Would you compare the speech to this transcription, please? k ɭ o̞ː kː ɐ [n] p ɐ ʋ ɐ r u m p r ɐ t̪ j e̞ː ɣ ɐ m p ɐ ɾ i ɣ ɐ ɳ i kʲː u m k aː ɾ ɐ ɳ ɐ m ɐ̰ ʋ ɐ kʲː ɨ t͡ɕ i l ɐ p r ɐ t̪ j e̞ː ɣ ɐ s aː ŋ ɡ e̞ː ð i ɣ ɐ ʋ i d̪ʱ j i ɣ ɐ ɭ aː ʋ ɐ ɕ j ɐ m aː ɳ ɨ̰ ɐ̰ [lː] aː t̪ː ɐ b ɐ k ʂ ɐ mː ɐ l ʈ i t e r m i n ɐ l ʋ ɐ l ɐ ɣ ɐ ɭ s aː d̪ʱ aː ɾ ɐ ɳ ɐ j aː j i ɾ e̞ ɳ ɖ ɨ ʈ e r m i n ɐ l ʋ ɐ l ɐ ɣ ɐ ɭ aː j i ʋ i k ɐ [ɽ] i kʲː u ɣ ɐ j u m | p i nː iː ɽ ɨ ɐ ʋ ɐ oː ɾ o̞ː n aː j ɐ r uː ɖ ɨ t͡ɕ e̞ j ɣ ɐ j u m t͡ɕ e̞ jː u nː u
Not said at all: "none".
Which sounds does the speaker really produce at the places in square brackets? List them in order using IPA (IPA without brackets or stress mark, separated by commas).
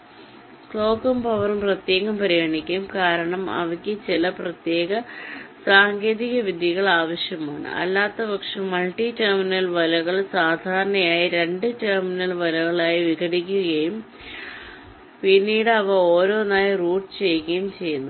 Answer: m, lː, ɽ